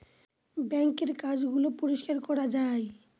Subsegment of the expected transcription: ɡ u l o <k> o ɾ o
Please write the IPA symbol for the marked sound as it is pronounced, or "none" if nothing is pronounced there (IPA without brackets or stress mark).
p